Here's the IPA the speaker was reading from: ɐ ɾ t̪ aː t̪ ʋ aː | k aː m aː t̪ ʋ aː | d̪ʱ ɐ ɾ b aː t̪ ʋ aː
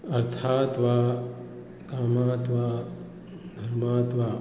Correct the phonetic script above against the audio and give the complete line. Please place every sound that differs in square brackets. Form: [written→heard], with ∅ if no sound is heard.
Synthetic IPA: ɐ ɾ [t̪→t̪ʰ] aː t̪ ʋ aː | k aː m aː t̪ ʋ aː | d̪ʱ ɐ ɾ [b→m] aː t̪ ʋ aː